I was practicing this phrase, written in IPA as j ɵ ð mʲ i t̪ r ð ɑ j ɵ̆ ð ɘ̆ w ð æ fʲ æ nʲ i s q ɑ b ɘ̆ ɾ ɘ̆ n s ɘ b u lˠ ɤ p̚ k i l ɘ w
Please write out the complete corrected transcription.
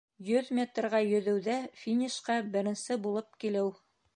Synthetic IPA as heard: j ɵ ð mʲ e t̪ r ʁ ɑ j ɵ̆ ð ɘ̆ w ð æ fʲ i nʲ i ʃ q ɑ b ɘ̆ ɾ ɘ̆ n s ɘ b u lˠ ɤ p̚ k i l ɘ w